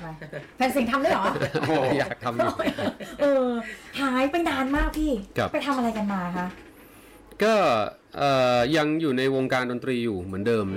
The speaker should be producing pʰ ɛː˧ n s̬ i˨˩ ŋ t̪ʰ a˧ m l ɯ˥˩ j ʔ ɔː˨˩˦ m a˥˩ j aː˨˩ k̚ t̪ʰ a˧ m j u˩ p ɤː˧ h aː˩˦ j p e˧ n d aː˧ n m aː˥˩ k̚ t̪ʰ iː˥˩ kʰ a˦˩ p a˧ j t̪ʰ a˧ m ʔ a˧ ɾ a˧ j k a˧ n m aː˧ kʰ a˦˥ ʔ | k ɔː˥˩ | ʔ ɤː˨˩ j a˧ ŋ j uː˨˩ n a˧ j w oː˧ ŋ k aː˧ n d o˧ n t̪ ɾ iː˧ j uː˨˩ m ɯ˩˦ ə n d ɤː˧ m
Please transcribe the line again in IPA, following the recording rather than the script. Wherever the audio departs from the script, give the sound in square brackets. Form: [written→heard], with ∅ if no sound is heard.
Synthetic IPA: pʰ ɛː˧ n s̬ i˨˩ ŋ t̪ʰ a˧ m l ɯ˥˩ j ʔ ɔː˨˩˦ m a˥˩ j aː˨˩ k̚ t̪ʰ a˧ m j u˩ [p→ʔ] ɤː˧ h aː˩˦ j p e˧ n d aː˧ n m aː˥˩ k̚ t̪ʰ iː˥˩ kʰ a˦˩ p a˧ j t̪ʰ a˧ m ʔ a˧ ɾ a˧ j k a˧ n m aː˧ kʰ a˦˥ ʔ | k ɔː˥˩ | ʔ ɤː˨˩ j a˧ ŋ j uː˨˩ n a˧ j w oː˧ ŋ k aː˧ n d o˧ n t̪ ɾ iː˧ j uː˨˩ m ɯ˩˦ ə n d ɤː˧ m